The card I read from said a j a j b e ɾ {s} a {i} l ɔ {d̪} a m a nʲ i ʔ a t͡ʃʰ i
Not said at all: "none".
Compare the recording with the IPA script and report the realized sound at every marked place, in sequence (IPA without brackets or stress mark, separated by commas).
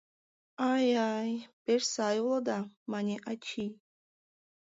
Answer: s, j, d̪